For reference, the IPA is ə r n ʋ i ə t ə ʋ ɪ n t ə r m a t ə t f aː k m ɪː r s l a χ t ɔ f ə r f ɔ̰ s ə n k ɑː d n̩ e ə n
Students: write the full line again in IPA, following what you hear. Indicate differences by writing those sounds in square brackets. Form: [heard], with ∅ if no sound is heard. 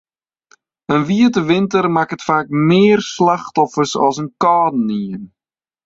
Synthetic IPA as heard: ə [∅] n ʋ i ə t ə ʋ ɪ n t ə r m a [k] ə t f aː k m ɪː r s l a χ t ɔ f ə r [s] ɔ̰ s ə n k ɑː d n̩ [i] ə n